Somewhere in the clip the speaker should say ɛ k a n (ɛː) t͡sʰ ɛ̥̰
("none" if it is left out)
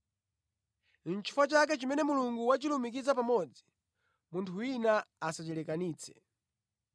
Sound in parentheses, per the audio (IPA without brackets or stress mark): iː